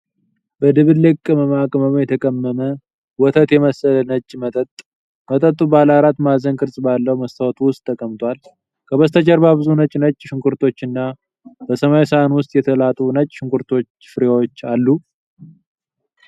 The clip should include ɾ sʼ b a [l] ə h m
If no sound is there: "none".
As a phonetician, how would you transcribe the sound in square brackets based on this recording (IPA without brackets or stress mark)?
lː